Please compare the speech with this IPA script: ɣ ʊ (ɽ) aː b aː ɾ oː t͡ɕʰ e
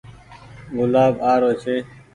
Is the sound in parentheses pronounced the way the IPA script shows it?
no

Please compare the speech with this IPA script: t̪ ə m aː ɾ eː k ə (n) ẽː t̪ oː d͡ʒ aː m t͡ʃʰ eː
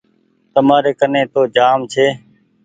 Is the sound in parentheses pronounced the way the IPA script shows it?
yes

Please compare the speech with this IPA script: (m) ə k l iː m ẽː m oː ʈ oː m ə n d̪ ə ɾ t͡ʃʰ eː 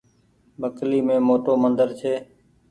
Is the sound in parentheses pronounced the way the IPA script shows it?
no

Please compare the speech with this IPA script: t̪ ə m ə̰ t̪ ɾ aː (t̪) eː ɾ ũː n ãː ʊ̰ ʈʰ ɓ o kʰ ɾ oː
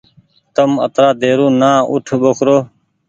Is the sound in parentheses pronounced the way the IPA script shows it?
no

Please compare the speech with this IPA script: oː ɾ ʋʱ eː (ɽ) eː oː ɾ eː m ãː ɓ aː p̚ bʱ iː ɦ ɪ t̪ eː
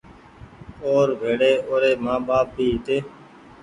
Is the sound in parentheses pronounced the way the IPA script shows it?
yes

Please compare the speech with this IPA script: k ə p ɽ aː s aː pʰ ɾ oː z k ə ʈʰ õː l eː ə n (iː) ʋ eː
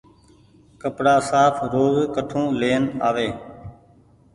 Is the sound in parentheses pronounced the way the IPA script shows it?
no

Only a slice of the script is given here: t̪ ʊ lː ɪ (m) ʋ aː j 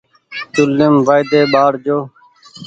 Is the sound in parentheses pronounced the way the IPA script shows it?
yes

